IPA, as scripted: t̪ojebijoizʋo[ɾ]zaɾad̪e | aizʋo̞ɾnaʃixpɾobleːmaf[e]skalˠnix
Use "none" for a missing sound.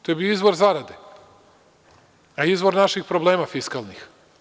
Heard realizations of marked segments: ɾ, i

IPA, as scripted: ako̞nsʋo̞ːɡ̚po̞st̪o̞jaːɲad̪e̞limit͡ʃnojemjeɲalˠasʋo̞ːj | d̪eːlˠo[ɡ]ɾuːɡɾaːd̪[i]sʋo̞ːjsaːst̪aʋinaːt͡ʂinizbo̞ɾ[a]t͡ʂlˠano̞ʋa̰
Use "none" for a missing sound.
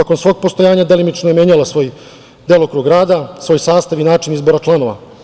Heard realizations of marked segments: k, a, a

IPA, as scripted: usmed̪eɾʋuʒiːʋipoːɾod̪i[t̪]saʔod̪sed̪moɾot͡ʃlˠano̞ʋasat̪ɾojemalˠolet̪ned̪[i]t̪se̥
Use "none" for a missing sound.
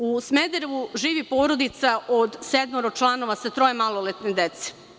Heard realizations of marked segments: t̪, e

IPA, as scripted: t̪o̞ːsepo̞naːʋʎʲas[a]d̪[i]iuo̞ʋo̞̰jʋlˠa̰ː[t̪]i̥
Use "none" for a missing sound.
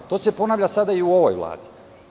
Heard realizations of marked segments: a, a, d̪

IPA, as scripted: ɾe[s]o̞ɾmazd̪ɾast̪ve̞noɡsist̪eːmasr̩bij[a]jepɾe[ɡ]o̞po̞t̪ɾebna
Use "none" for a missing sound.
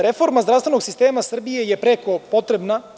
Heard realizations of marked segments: f, e, k

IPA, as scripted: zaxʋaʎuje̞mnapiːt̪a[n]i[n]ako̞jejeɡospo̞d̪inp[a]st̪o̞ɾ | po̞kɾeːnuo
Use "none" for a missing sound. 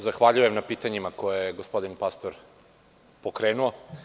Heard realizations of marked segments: ɲ, m, a

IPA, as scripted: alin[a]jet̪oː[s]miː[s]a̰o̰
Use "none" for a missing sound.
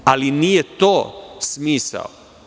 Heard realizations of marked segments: i, s, s

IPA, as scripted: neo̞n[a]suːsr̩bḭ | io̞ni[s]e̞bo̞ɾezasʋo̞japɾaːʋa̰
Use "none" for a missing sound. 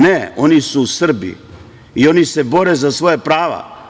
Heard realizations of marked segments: i, s

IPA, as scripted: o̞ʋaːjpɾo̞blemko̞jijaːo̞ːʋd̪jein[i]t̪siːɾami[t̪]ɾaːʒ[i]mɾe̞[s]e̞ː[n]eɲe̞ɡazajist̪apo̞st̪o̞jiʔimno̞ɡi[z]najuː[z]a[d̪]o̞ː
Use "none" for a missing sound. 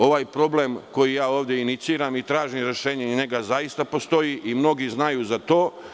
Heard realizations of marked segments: i, t̪, i, ʃ, ɲ, z, z, t̪

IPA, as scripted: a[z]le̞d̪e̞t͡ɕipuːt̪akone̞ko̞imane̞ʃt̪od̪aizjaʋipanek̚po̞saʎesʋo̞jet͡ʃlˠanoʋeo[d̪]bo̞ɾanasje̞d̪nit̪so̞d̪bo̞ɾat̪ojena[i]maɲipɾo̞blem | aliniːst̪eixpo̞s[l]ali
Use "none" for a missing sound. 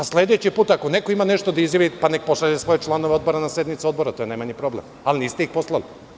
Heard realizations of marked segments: s, d̪, j, l

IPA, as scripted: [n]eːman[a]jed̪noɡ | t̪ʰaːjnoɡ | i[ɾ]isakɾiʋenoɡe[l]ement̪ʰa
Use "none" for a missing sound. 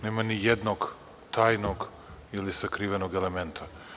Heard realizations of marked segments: n, i, l, l

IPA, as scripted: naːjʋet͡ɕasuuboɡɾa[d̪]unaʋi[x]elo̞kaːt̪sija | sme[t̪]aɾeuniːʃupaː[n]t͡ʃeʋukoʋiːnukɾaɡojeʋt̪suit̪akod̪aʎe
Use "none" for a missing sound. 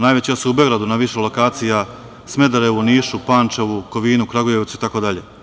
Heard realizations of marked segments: d̪, ʃ, d̪, n

